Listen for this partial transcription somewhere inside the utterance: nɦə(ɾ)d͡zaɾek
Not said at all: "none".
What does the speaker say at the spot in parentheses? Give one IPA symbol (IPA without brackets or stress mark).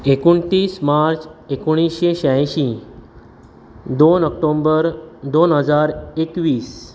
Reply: none